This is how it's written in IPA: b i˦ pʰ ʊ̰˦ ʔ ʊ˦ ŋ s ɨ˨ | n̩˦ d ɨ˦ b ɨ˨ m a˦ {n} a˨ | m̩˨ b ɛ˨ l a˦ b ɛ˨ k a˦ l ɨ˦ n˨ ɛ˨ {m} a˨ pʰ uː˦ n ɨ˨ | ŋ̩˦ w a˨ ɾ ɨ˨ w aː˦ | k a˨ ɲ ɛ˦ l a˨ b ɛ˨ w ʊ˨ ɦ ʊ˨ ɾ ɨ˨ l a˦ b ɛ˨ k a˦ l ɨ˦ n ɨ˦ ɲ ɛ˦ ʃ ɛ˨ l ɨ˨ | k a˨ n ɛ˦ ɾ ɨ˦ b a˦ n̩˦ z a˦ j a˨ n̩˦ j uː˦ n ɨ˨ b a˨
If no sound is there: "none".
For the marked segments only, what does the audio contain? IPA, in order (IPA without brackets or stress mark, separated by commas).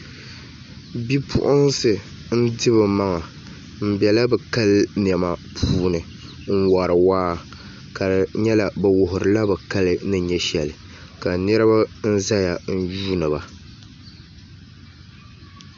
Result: ŋ, m